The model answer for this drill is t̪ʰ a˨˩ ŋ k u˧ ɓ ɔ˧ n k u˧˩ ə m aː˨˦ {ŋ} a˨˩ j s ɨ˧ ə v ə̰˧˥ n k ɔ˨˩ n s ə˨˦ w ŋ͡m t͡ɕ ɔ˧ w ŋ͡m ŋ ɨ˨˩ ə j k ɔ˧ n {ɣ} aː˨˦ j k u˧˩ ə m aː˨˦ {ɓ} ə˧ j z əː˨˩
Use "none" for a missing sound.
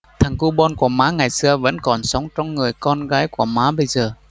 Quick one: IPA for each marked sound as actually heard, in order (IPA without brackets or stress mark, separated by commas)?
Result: ŋ, ɣ, ɓ